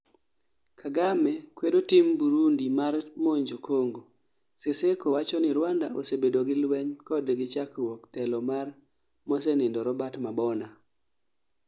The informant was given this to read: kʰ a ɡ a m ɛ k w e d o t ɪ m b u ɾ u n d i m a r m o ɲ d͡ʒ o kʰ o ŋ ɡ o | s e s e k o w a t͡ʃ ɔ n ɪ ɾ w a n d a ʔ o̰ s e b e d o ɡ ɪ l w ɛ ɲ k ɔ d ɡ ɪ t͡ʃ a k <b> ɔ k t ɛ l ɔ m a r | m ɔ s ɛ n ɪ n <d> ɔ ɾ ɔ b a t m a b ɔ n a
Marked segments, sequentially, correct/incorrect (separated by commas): incorrect, correct